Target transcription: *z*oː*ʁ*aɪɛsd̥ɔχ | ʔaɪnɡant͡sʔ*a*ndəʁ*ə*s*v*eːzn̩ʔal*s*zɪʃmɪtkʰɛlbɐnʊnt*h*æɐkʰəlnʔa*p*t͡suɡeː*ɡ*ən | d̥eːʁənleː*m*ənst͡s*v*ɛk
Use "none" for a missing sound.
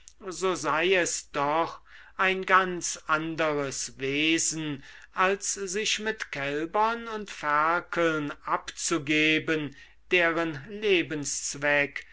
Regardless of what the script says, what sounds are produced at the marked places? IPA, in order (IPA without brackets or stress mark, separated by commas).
z, z, a, ə, v, s, f, p, b, b, v